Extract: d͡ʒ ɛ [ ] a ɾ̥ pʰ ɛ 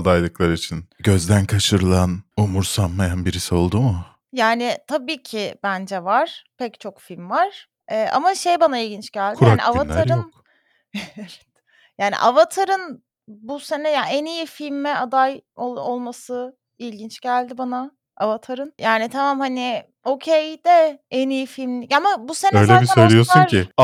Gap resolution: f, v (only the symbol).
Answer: v